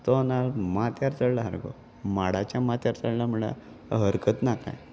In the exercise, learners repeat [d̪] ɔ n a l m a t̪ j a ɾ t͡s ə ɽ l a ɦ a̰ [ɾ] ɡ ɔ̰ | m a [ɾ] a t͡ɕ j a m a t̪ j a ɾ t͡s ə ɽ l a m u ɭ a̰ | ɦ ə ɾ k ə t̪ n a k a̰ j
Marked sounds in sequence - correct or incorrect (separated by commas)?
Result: incorrect, correct, incorrect